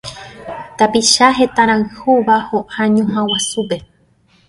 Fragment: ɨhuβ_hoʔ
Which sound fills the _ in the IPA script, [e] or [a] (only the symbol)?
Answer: a